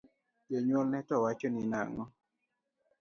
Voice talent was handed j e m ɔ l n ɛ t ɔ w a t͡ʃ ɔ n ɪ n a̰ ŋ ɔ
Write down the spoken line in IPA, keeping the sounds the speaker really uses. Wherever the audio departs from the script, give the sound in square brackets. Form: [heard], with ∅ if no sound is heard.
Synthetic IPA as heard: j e [ɲ] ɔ l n ɛ t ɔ w a t͡ʃ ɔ n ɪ n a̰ ŋ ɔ